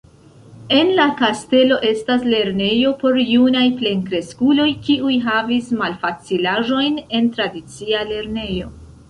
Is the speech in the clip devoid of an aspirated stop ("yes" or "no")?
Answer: yes